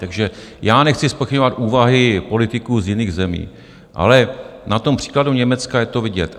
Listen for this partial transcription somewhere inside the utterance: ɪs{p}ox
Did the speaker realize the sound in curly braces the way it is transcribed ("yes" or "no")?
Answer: yes